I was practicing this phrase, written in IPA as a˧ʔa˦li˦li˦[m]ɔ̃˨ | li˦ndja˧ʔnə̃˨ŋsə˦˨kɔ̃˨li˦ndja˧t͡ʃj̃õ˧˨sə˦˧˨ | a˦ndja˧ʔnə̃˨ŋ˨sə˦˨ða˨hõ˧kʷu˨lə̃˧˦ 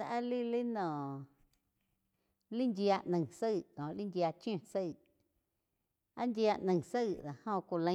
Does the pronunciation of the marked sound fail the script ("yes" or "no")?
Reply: yes